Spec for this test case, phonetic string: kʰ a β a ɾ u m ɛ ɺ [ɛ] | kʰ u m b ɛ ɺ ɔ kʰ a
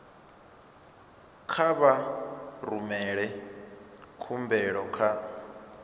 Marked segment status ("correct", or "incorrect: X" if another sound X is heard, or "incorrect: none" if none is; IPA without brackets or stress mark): correct